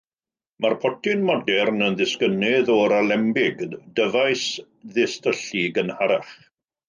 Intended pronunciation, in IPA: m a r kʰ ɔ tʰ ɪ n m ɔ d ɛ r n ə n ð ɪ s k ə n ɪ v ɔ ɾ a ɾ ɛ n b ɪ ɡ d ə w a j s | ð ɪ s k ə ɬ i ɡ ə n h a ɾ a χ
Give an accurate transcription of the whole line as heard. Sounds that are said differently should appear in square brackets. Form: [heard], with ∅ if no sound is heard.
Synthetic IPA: m a r [pʰ] ɔ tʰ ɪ n m ɔ d ɛ r n ə n ð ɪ s k ə n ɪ [ð] ɔ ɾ a [l] ɛ [m] b ɪ ɡ d ə [v] a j s | ð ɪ s [t] ə ɬ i ɡ ə n h a ɾ a χ